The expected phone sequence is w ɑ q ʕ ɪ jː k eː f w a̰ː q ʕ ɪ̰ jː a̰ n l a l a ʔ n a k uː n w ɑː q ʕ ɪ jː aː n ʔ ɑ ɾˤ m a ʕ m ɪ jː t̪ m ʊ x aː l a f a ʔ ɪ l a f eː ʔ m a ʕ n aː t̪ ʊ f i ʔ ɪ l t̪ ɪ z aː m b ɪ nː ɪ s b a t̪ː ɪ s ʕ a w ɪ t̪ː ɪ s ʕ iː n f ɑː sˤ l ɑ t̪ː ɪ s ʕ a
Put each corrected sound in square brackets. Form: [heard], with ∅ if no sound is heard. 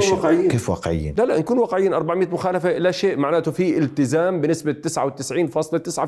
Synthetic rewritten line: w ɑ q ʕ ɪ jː k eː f w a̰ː q ʕ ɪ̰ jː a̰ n l a l a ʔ n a k uː n w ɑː q ʕ ɪ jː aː n ʔ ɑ ɾˤ [b] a ʕ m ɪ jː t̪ m ʊ x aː l a f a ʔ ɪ l a [ʃ] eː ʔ m a ʕ n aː t̪ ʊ f i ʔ ɪ l t̪ ɪ z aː m b ɪ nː ɪ s b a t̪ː ɪ s ʕ a w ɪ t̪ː ɪ s ʕ iː n f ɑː sˤ l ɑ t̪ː ɪ s ʕ a